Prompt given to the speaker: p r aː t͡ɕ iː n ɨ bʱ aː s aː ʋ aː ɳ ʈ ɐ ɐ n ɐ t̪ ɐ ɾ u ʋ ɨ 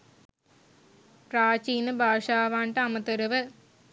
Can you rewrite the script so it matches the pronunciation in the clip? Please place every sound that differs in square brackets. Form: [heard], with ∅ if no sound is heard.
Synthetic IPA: p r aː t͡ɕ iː n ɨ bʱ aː [ʂ] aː ʋ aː ɳ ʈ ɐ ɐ [m] ɐ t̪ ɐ ɾ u ʋ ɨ